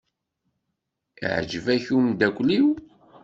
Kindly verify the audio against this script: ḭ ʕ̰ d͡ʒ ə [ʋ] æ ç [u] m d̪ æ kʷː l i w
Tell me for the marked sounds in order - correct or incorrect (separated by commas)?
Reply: incorrect, correct